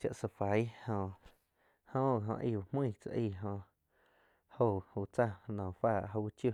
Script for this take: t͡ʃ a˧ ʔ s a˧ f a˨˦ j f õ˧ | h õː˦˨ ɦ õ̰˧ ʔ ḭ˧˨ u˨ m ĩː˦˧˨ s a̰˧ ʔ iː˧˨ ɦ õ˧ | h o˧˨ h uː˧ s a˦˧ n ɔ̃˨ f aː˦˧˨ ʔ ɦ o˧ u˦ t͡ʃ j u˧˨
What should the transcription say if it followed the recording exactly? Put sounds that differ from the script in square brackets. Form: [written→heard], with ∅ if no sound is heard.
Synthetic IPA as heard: t͡ʃ a˧ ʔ s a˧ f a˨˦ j [f→h] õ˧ | h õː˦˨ ɦ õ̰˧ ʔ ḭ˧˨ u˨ m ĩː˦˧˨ [s→t͡s] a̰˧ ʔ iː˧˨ ɦ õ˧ | h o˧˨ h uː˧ [s→t͡s] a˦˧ n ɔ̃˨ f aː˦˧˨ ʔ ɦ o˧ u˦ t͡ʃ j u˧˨